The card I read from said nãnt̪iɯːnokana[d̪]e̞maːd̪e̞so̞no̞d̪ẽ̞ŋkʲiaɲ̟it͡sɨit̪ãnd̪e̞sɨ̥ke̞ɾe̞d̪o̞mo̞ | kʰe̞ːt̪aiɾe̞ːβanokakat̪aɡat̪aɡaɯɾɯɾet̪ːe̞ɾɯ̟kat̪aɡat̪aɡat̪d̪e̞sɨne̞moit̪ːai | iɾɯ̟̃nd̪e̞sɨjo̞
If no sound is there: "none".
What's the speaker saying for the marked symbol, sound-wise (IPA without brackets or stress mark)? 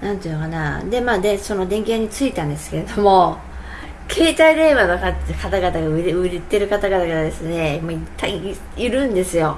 d̪